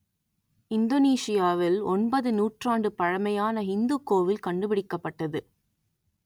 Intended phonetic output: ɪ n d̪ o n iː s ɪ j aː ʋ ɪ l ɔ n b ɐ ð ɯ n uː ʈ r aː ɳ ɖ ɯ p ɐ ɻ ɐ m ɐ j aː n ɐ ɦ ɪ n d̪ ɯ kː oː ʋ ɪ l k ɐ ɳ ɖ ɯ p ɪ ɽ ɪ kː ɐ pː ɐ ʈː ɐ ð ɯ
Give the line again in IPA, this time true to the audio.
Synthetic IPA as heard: ɪ n d̪ o n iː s ɪ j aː ʋ ɪ l ɔ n b ɐ ð ɯ n uː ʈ r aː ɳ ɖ ɯ p ɐ ɻ ɐ m ɐ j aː n ɐ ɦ ɪ n d̪ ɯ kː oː ʋ ɪ l k ɐ ɳ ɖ ɯ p ɪ ɽ ɪ kː ɐ pː ɐ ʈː ɐ ð ɯ

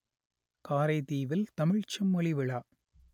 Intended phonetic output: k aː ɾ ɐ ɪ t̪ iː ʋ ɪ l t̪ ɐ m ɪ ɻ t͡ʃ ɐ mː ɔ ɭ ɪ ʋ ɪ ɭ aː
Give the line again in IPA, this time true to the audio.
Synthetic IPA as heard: k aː ɾ ɐ ɪ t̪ iː ʋ ɪ l t̪ ɐ m ɪ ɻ t͡ʃ ɐ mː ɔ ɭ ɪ ʋ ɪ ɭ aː

